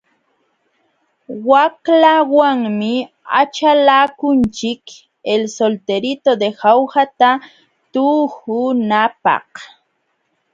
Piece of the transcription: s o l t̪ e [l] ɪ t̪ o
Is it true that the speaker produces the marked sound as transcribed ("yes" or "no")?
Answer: no